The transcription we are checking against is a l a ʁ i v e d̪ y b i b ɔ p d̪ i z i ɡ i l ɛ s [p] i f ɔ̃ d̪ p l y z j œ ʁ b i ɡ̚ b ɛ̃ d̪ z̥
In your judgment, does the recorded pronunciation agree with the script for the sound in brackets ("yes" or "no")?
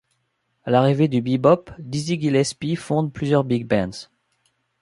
yes